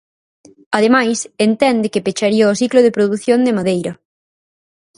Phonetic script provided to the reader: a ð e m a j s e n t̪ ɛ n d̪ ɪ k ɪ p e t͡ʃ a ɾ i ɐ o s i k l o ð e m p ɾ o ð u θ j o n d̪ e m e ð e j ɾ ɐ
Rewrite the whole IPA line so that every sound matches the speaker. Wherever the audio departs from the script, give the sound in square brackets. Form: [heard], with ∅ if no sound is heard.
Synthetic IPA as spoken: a ð e m a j s e n t̪ ɛ n d̪ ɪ k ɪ p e t͡ʃ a ɾ i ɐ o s i k l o ð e [∅] p ɾ o ð u θ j o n d̪ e m [a] ð e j ɾ ɐ